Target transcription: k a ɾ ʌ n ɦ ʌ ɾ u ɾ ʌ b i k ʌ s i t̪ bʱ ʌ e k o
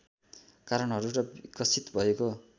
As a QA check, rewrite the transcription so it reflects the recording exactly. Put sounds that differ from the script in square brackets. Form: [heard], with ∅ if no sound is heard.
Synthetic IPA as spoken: k a ɾ ʌ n ɦ ʌ ɾ u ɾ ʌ b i k ʌ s i t̪ bʱ ʌ e k o